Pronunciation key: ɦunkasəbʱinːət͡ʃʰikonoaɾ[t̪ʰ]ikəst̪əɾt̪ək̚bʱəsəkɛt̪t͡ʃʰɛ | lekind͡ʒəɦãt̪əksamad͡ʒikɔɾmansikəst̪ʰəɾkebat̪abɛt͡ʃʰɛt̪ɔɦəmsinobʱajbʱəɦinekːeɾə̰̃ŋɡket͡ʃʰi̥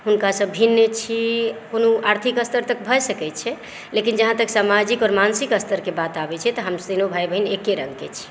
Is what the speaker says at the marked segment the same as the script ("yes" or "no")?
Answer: yes